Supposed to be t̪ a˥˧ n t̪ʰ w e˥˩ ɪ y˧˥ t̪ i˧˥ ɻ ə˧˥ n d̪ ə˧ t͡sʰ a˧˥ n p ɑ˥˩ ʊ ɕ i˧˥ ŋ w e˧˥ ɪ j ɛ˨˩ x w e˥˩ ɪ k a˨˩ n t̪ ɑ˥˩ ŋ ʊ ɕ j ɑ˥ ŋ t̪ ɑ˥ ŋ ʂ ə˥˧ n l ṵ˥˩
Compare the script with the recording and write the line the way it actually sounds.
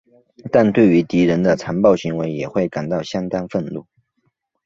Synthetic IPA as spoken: t̪ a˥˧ n t̪ w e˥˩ ɪ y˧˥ t̪ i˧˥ ɻ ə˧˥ n d̪ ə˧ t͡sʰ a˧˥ n p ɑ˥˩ ʊ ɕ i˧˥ ŋ w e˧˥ ɪ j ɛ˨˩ x w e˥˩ ɪ k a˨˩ n t̪ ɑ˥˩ ʊ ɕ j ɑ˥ ŋ t̪ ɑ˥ ŋ f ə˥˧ n l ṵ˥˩